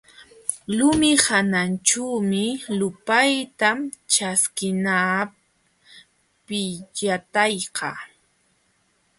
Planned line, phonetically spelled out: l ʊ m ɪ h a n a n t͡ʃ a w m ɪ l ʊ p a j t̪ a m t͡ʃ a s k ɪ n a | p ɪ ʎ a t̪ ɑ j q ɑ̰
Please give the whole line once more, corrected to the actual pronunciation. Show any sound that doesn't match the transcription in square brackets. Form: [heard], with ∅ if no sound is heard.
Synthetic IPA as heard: l ʊ m ɪ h a n a n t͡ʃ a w m ɪ l ʊ p a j t̪ a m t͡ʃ a s k ɪ n a | p ɪ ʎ a t̪ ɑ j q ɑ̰